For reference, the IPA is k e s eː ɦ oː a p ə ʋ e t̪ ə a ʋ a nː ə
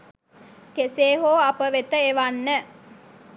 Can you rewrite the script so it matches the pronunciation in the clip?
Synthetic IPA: k e s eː ɦ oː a p ə ʋ e t̪ ə e ʋ a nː ə